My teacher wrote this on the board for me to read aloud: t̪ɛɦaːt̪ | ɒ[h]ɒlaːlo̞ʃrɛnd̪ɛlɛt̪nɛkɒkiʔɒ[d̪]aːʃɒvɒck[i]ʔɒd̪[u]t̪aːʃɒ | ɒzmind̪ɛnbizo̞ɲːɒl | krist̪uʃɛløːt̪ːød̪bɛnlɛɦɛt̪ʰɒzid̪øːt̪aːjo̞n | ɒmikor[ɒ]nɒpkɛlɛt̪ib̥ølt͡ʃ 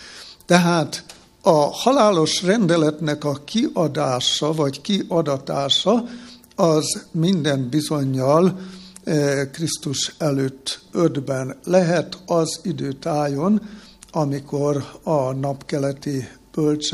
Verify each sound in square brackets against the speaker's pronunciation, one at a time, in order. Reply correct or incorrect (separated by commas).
correct, correct, correct, incorrect, correct